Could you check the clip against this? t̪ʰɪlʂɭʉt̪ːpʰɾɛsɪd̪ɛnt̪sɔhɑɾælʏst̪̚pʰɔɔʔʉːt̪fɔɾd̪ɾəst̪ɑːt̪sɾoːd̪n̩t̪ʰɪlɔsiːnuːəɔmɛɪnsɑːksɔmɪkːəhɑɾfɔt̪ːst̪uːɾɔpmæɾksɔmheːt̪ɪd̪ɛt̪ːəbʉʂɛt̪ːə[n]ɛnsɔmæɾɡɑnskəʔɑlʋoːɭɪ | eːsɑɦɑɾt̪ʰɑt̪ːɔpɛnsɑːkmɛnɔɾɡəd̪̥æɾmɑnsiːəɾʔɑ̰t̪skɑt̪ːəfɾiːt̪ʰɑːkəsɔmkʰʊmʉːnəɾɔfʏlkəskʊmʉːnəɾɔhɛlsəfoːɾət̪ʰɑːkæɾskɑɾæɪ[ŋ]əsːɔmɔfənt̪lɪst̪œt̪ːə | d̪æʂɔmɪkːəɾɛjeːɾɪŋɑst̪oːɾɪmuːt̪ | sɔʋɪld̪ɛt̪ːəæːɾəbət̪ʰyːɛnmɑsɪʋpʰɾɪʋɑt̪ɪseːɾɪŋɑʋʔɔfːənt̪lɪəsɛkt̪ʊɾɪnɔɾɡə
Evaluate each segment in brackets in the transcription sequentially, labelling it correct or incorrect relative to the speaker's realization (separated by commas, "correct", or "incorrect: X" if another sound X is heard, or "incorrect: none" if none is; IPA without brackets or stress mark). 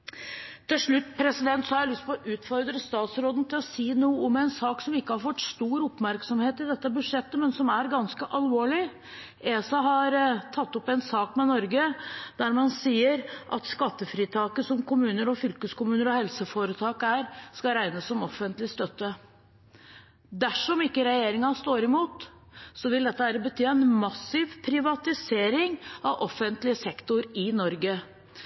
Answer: incorrect: m, incorrect: n